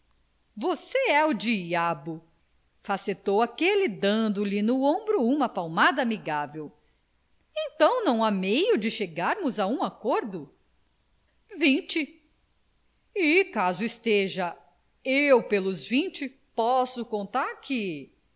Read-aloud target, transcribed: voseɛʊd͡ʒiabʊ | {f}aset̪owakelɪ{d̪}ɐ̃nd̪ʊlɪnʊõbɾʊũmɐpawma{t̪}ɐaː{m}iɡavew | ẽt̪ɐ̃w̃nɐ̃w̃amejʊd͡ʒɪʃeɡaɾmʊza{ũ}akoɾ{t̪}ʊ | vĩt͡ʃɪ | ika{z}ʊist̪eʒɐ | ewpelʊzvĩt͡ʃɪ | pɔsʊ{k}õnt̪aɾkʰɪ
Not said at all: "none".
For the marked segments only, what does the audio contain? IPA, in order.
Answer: f, d̪, d̪, m, ũ, d̪, z, k

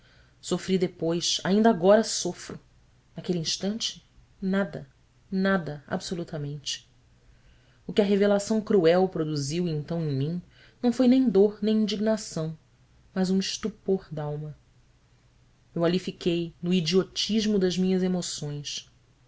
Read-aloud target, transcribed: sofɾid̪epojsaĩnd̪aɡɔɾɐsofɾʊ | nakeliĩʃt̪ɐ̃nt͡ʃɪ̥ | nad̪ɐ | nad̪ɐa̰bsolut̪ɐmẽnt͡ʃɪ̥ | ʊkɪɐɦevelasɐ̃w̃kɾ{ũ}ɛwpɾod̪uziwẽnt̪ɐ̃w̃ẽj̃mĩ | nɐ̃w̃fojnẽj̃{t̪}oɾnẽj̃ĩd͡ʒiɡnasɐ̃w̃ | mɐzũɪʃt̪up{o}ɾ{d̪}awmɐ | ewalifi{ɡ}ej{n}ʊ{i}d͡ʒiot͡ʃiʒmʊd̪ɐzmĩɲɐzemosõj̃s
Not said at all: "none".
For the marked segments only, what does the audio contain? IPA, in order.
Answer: u, d̪, o, d̪, k, n, i

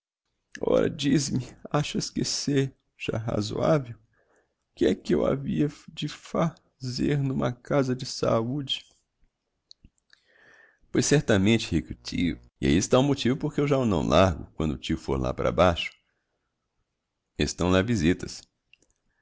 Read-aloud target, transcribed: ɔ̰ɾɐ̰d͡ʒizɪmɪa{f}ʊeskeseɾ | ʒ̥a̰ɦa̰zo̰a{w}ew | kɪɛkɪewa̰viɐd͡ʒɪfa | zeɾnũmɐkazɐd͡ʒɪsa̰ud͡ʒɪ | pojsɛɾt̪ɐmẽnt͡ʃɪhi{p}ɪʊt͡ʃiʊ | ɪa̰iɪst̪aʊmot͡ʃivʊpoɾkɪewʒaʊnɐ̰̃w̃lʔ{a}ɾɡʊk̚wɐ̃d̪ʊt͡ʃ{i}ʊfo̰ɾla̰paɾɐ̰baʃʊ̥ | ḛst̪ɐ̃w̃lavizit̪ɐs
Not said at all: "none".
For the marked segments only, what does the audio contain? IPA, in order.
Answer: ʃ, v, k, a, i

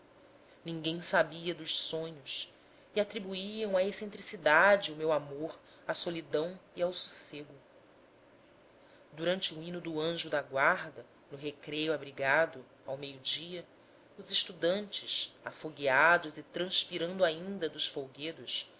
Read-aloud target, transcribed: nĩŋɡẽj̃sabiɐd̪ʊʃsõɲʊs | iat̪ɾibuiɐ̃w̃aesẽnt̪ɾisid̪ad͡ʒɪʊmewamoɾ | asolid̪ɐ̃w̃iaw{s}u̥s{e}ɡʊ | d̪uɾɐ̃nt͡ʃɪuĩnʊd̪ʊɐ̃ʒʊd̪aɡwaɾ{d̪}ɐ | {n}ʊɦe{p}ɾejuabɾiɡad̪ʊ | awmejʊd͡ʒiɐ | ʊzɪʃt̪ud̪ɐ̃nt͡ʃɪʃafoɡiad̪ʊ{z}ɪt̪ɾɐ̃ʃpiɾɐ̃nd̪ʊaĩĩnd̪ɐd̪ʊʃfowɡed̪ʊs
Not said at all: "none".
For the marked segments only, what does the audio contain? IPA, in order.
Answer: s, e, d̪, n, k, z

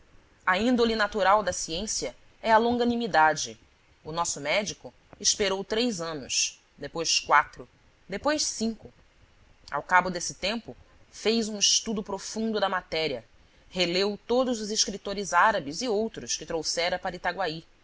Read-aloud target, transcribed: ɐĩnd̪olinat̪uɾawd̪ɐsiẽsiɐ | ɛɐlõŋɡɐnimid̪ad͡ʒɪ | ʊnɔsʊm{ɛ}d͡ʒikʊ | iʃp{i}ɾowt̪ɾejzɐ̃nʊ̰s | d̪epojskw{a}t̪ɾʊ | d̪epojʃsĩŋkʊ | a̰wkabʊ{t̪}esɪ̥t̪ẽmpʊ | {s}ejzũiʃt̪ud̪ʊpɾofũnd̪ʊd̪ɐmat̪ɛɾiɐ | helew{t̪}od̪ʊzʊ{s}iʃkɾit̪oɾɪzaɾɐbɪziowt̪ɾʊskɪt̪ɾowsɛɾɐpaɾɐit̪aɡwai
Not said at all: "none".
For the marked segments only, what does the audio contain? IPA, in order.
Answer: ɛ, e, a, d̪, f, t̪, z

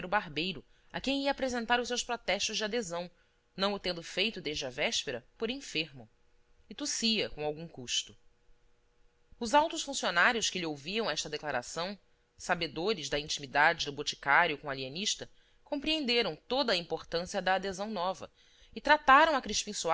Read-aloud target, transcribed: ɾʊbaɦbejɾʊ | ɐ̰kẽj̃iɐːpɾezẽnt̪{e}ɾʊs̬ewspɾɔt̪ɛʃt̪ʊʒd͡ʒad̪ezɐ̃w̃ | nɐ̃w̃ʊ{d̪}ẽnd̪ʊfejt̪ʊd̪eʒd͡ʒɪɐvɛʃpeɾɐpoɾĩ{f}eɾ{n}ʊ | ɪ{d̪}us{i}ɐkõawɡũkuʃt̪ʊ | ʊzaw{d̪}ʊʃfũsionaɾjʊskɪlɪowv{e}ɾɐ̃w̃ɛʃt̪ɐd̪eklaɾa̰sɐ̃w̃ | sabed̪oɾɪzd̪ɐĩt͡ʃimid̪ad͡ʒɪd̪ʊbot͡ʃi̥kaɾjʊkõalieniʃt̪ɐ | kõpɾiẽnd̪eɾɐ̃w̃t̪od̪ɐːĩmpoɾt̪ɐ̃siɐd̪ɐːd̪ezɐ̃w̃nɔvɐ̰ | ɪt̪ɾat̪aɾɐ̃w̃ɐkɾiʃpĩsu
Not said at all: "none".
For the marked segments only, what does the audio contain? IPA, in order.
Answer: a, t̪, f, m, t̪, i, t̪, i

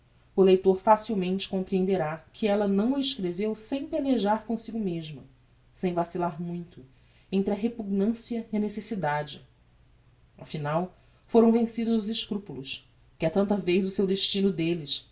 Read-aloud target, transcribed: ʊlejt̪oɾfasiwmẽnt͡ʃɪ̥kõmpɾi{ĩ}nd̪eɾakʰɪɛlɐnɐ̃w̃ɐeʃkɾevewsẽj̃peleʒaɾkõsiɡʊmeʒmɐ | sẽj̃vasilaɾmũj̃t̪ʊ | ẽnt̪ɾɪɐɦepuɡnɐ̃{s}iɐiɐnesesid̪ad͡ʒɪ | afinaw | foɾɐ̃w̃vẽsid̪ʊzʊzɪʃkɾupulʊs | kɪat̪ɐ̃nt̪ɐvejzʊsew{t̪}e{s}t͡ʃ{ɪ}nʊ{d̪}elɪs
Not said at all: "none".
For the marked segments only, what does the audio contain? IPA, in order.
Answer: ẽ, s, d̪, ʃ, i, d̪

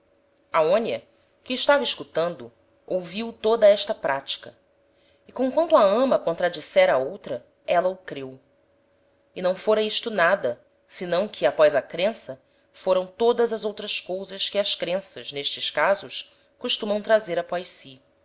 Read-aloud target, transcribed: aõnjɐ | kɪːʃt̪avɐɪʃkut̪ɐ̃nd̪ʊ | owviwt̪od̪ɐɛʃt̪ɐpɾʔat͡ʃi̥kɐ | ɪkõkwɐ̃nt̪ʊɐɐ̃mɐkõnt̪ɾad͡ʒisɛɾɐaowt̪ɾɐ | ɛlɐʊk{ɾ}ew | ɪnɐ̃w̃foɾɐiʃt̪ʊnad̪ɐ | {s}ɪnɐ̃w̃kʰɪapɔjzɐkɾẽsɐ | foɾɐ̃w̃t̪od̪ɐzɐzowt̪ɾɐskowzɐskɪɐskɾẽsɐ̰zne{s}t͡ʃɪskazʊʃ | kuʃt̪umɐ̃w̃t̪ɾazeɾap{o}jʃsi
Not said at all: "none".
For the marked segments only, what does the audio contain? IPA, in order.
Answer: ɾ, s, ʃ, ɔ

